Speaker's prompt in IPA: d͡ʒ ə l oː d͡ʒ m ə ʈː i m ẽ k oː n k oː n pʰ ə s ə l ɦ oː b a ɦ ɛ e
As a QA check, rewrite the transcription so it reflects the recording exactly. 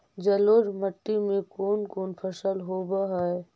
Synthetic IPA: d͡ʒ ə l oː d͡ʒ m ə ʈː i m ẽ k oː n k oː n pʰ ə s ə l ɦ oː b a ɦ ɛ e